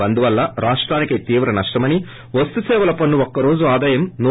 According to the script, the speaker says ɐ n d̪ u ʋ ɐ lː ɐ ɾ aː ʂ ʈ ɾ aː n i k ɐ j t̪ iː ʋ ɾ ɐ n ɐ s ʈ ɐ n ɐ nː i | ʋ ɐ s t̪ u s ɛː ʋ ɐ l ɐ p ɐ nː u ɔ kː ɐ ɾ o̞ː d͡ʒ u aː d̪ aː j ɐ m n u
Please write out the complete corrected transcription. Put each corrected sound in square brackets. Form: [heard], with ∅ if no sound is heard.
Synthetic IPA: ɐ n d̪ u ʋ ɐ lː ɐ ɾ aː ʂ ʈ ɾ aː n i k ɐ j t̪ iː ʋ ɾ ɐ n ɐ [ʂ] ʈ ɐ [m] ɐ [n] i | ʋ ɐ s t̪ u s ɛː ʋ ɐ l ɐ p ɐ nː u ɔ kː ɐ ɾ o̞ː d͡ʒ u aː d̪ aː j ɐ m n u